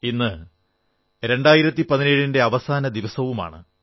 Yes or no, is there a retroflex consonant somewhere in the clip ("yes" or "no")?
yes